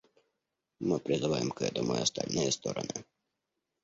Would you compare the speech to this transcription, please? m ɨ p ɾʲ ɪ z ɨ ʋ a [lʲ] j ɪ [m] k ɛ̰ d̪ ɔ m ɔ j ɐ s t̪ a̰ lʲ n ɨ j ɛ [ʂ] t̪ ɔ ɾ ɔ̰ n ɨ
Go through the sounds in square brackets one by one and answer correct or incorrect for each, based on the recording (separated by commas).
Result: incorrect, correct, incorrect